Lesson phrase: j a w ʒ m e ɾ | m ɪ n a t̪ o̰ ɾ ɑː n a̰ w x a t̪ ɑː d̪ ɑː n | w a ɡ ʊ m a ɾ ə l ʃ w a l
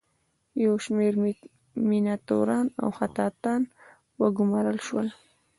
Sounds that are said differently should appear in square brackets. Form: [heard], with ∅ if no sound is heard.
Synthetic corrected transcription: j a w [ʃ] m e ɾ | m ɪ n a t̪ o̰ ɾ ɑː n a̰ w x a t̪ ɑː [t̪] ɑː n | w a ɡ ʊ m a ɾ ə l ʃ w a l